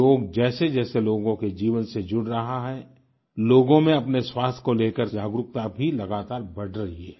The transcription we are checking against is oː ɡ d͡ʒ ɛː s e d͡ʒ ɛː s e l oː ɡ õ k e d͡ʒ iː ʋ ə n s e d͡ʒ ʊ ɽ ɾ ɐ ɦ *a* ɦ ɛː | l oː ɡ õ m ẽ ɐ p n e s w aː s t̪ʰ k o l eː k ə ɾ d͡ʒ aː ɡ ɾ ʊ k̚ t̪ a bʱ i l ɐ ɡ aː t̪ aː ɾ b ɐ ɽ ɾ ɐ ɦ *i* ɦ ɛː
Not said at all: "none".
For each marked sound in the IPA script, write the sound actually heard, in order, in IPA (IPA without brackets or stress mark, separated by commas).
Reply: a, i